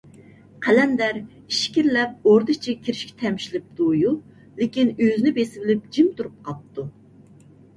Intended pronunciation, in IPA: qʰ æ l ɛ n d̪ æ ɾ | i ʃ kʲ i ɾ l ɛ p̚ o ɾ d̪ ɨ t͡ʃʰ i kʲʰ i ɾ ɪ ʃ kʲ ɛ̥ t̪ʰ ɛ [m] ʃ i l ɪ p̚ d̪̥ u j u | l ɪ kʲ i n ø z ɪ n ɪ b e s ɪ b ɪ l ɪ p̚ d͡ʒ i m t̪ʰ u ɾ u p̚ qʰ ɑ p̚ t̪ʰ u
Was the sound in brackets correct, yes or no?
yes